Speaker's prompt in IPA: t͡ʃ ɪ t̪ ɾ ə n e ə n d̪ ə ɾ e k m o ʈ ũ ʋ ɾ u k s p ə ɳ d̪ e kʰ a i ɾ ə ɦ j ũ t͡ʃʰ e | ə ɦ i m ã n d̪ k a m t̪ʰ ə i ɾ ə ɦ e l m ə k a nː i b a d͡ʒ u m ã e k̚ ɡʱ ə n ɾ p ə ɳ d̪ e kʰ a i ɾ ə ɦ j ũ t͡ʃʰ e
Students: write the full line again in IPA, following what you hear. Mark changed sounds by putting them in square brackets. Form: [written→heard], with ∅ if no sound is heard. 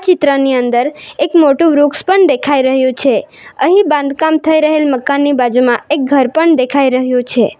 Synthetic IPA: t͡ʃ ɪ t̪ ɾ ə n [e→i] ə n d̪ ə ɾ e k m o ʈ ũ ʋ ɾ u k s p ə ɳ d̪ e kʰ a i ɾ ə ɦ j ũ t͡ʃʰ e | ə ɦ i [m→b] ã n d̪ k a m t̪ʰ ə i ɾ ə ɦ e l m ə k a nː i b a d͡ʒ u m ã e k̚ ɡʱ ə [n→∅] ɾ p ə ɳ d̪ e kʰ a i ɾ ə ɦ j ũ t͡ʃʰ e

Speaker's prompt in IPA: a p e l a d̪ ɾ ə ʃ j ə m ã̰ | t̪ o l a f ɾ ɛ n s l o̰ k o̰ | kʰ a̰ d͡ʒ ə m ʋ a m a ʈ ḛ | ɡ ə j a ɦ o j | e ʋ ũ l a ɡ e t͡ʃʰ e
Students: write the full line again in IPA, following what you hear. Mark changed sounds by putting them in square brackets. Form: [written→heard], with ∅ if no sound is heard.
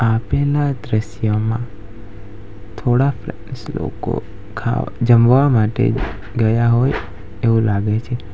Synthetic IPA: a p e l a d̪ ɾ ə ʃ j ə m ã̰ | [t̪→t̪ʰ] o [l→ɽ] a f ɾ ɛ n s l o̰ k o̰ | kʰ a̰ d͡ʒ ə m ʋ a m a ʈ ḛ | ɡ ə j a ɦ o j | e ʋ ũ l a ɡ e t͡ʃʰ e

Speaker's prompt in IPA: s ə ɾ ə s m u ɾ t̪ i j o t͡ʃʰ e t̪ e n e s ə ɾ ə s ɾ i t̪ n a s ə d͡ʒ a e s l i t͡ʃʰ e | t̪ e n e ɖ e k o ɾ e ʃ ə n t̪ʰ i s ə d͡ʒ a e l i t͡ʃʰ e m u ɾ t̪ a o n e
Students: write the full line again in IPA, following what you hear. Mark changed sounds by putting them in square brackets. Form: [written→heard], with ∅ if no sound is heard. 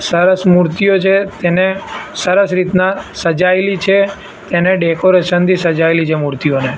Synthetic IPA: s ə ɾ ə s m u ɾ t̪ i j o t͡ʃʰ e t̪ e n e s ə ɾ ə s ɾ i t̪ n a s ə d͡ʒ a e [s→∅] l i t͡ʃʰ e | t̪ e n e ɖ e k o ɾ e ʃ ə n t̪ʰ i s ə d͡ʒ a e l i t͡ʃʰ e m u ɾ t̪ [a→i] o n e

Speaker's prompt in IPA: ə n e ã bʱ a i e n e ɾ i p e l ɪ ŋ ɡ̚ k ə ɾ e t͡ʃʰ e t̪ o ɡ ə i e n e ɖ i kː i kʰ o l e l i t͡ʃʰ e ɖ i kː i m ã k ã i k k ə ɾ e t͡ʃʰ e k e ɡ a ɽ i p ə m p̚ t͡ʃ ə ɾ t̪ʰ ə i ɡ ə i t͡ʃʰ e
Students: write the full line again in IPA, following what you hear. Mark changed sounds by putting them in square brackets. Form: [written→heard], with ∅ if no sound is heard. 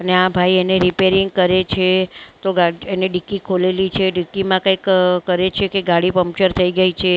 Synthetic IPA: ə n e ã bʱ a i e n e ɾ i p e [l→ɾ] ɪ ŋ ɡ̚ k ə ɾ e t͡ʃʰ e t̪ o ɡ [ə→a] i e n e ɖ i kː i kʰ o l e l i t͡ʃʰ e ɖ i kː i m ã k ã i k k ə ɾ e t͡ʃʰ e k e ɡ a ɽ i p ə m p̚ t͡ʃ ə ɾ t̪ʰ ə i ɡ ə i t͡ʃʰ e

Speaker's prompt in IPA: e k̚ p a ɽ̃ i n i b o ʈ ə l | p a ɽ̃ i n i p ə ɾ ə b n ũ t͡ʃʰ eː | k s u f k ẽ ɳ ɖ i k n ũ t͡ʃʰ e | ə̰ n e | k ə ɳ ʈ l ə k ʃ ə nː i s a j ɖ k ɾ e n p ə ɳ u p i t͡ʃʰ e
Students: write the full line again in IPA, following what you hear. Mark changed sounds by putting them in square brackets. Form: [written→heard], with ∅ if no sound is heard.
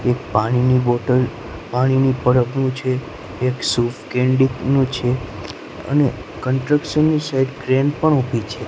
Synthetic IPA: e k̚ p a ɽ̃ i n i b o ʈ ə l | p a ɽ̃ i n i p ə ɾ ə b n ũ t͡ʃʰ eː | k s u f k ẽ ɳ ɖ i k n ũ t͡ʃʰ e | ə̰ n e | k ə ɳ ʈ [l→ɾ] ə k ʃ ə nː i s a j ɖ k ɾ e n p ə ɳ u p i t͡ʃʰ e

